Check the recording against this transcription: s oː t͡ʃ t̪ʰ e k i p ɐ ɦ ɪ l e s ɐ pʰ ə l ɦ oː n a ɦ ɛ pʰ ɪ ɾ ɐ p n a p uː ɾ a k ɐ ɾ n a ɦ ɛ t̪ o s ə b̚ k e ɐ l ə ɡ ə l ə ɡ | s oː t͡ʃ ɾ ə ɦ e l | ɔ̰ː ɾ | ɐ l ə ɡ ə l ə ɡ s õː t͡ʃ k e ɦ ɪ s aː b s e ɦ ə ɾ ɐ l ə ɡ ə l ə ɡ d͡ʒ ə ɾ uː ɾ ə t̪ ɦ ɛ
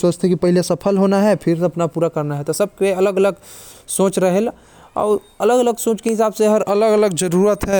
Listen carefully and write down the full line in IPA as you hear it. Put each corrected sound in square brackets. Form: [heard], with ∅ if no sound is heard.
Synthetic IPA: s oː t͡ʃ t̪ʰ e k i p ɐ ɦ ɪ l e s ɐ pʰ ə l ɦ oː n a ɦ ɛ pʰ ɪ ɾ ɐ p n a p uː ɾ a k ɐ ɾ n a ɦ ɛ t̪ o s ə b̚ k e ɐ l ə ɡ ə l ə ɡ | s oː t͡ʃ ɾ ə ɦ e l | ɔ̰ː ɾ | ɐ l ə ɡ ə l ə ɡ s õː t͡ʃ k e ɦ ɪ s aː b s e ɦ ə ɾ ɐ l ə ɡ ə l ə ɡ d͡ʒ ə ɾ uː ɾ ə t̪ ɦ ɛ

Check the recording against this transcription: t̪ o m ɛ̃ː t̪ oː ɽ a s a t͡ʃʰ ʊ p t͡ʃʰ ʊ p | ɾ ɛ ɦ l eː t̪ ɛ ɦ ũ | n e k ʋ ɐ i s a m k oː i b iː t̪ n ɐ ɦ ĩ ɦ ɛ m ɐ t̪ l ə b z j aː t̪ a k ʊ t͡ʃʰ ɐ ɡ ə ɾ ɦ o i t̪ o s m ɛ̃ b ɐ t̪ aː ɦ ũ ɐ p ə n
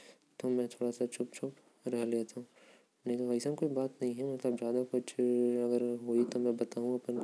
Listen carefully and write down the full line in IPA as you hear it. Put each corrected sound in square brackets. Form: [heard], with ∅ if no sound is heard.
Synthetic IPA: t̪ o m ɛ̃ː [t̪ʰ] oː ɽ a s a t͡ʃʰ ʊ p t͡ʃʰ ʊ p | ɾ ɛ ɦ l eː t̪ [a] ɦ ũ | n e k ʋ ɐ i s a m k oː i b [aː] t̪ n ɐ ɦ ĩ ɦ ɛ m ɐ t̪ l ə b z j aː [d̪] a k ʊ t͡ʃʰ ɐ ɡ ə ɾ ɦ o i t̪ o [∅] m ɛ̃ b ɐ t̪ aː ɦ ũ ɐ p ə n

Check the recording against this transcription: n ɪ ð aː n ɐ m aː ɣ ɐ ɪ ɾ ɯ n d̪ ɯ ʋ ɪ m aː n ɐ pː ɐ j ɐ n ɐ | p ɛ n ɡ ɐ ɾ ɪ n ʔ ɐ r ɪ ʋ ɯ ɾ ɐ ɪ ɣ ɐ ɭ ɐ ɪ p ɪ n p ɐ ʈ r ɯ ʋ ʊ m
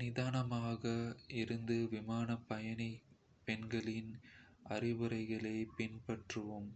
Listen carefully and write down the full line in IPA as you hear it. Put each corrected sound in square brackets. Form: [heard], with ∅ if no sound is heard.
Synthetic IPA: n ɪ ð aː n ɐ m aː ɣ ɐ ɪ ɾ ɯ n d̪ ɯ ʋ ɪ m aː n ɐ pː ɐ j ɐ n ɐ | p ɛ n ɡ ɐ [ɭ] ɪ n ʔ ɐ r ɪ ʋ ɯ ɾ ɐ ɪ ɣ ɐ ɭ ɐ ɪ p ɪ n p ɐ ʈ r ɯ ʋ [ɯ] m

